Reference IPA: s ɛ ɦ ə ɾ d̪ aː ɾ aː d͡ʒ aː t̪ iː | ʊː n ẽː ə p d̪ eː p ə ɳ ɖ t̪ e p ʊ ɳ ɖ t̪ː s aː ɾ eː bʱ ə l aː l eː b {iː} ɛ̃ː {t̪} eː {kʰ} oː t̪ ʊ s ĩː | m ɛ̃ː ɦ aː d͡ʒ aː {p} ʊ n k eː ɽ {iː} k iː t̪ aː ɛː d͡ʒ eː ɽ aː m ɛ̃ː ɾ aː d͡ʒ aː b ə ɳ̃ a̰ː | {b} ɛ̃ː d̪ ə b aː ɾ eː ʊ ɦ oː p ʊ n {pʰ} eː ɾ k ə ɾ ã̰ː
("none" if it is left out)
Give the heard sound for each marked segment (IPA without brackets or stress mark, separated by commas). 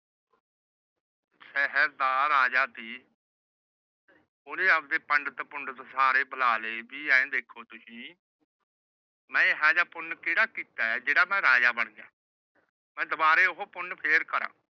iː, d̪, kʰ, p, aː, m, pʰ